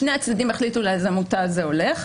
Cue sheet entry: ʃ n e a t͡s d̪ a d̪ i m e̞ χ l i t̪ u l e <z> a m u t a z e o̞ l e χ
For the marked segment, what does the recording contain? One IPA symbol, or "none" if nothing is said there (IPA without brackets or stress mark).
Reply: z